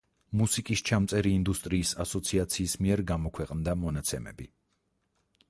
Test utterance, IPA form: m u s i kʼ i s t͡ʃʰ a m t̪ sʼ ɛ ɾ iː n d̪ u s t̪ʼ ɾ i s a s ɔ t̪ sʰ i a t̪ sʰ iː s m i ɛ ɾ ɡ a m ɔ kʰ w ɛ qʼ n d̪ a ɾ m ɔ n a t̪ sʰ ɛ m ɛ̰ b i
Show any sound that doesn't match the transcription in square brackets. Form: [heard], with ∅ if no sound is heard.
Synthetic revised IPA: m u s i kʼ i s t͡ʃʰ a m t̪ sʼ ɛ ɾ iː n d̪ u s t̪ʼ ɾ [iː] s a s ɔ t̪ sʰ i a t̪ sʰ iː s m i ɛ ɾ ɡ a m ɔ kʰ w ɛ qʼ n d̪ a [∅] m ɔ n a t̪ sʰ ɛ m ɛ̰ b i